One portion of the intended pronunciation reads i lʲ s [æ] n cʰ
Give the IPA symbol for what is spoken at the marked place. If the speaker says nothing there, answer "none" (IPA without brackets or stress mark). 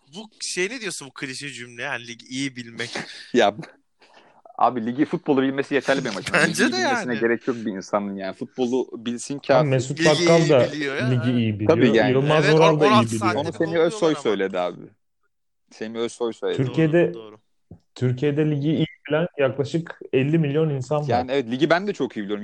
i